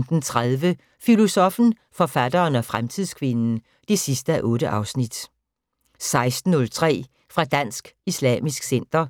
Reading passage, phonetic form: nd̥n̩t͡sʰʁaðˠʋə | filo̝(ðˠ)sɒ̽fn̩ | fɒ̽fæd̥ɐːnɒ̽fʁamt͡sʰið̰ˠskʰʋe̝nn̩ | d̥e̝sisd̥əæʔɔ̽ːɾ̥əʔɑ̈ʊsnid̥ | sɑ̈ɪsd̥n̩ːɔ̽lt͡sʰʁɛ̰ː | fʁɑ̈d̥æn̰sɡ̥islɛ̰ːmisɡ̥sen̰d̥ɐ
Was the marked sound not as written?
yes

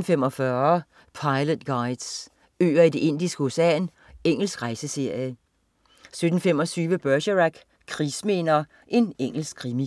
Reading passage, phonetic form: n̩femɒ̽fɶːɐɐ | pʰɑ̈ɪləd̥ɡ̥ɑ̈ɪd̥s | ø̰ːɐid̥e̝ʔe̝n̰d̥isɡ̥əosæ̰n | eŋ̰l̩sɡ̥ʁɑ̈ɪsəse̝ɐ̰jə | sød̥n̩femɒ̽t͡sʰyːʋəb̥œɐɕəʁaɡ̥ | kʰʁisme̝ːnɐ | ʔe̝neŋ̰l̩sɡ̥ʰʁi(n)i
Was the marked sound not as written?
yes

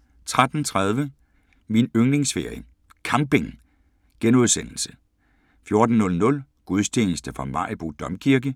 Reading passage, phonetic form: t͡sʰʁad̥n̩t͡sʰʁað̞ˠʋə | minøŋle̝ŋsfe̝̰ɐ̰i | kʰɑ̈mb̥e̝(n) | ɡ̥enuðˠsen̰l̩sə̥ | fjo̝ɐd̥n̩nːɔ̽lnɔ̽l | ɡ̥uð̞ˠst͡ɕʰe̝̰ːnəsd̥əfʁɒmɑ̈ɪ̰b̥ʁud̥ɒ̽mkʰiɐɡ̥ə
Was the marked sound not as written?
yes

